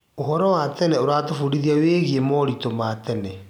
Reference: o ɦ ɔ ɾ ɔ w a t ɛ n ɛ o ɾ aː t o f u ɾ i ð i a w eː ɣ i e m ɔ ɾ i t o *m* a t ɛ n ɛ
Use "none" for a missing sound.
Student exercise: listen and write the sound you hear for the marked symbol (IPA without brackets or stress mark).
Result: m